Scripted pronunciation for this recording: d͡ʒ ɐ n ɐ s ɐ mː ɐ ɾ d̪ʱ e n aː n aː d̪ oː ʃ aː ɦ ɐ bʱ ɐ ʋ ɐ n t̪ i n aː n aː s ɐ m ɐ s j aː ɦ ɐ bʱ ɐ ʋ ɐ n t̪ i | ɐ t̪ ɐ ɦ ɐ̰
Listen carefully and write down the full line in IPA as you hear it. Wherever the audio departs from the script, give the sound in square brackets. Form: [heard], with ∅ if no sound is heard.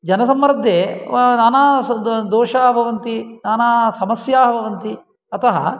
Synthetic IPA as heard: d͡ʒ ɐ n ɐ s ɐ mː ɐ ɾ d̪ʱ e n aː n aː d̪ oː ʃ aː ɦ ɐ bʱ ɐ ʋ ɐ n t̪ i n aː n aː s ɐ m ɐ s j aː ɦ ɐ bʱ ɐ ʋ ɐ n t̪ i | ɐ t̪ ɐ ɦ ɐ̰